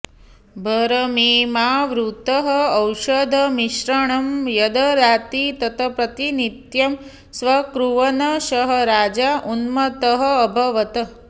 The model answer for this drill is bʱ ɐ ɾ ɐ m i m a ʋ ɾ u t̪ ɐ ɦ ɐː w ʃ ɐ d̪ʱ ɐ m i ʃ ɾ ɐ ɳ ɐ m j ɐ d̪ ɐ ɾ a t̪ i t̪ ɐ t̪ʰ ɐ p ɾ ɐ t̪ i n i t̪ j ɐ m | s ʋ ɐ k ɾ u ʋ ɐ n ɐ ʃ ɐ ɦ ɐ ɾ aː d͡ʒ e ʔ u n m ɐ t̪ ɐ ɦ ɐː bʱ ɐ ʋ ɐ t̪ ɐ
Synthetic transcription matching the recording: bʱ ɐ ɾ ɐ m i m a ʋ ɾ u t̪ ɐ ɦ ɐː w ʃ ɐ d̪ʱ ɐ m i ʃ ɾ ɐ ɳ ɐ m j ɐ d̪ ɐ ɾ a t̪ i t̪ ɐ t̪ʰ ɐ p ɾ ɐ t̪ i n i t̪ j ɐ m | s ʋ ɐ k ɾ u ʋ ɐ n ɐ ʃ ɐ ɦ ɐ ɾ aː d͡ʒ a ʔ u n m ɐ t̪ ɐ ɦ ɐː bʱ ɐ ʋ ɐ t̪ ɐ